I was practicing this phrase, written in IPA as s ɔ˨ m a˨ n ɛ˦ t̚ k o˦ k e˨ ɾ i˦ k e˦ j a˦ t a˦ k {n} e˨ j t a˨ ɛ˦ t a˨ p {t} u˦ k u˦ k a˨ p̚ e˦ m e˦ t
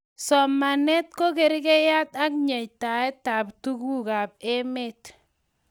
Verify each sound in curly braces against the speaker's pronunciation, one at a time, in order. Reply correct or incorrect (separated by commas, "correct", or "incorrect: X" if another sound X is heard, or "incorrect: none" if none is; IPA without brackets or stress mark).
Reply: incorrect: ɲ, correct